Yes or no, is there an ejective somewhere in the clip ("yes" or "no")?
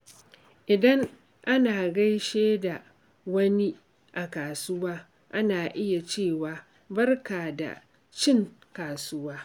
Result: no